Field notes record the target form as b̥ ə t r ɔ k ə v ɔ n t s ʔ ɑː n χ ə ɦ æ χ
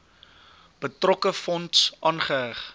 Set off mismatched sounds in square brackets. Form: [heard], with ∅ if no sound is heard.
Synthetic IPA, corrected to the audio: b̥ ə t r ɔ k ə [f] ɔ n t s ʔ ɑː n χ ə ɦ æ χ